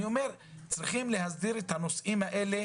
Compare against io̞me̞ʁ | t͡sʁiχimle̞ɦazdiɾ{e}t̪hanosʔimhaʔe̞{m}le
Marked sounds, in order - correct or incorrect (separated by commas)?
correct, incorrect